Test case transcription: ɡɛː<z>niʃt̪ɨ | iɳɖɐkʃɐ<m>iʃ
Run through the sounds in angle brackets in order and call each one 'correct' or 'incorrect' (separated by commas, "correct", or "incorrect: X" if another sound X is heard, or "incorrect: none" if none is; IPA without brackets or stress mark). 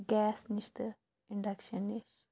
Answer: incorrect: s, incorrect: n